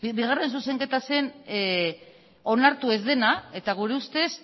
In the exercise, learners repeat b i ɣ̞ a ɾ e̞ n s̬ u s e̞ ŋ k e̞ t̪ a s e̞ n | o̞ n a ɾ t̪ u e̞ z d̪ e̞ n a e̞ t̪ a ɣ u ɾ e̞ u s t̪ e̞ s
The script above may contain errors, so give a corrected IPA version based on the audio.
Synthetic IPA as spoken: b i ɣ̞ a r e̞ n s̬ u s e̞ ŋ k e̞ t̪ a s e̞ n | o̞ n a ɾ t̪ u e̞ z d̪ e̞ n a e̞ t̪ a ɣ u ɾ e̞ u s t̪ e̞ s